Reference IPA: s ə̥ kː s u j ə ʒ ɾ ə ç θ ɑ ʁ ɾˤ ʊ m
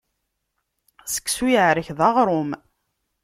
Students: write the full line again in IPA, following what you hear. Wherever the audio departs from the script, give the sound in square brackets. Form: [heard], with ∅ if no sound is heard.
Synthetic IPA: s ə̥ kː s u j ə [ʕ] ɾ ə ç [ð] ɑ ʁ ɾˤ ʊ m